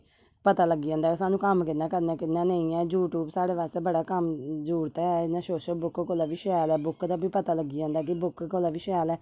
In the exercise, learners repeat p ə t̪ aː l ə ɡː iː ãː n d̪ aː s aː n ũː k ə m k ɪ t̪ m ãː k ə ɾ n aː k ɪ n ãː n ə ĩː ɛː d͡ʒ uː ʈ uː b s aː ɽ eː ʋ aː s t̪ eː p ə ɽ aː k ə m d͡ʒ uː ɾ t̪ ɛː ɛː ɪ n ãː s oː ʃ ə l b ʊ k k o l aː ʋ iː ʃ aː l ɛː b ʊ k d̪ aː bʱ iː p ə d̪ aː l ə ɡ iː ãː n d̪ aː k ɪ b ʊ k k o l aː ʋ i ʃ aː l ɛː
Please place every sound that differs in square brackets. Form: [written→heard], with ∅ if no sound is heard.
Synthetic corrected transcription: p ə t̪ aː l ə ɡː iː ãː n d̪ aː s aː n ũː k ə m k ɪ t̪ [m→n] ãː k ə ɾ n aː k ɪ n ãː n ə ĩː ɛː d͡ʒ uː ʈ uː b s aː ɽ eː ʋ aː s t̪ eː [p→b] ə ɽ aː k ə m d͡ʒ uː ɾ t̪ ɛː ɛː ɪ n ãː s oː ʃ ə l b ʊ k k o l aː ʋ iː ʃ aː l ɛː b ʊ k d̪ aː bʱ iː p ə [d̪→t̪] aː l ə ɡ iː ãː n d̪ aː k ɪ b ʊ k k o l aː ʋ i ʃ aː l ɛː